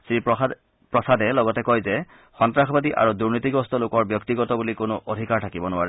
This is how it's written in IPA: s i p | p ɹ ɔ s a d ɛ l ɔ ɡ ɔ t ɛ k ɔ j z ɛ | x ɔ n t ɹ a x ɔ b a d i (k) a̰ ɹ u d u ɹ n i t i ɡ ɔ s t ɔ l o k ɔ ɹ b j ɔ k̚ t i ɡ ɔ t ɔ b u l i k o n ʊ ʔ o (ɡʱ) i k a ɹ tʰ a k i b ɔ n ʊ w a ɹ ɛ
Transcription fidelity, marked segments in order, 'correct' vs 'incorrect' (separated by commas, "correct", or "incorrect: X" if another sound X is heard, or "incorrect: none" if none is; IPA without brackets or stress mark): incorrect: ʔ, incorrect: dʱ